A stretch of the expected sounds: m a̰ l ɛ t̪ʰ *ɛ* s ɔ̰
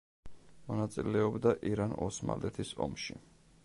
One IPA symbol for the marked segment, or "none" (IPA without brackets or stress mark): i